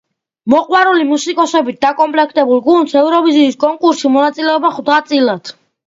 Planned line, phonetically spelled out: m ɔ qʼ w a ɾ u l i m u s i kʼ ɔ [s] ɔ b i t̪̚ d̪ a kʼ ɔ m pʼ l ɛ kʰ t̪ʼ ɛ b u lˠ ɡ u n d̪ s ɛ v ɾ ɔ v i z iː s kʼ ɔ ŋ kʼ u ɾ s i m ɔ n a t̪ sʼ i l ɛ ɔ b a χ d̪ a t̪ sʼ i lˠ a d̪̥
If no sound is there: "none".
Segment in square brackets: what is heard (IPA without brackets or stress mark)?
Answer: s